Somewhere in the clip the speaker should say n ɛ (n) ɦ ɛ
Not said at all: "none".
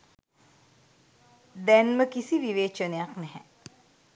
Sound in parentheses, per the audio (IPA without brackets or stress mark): none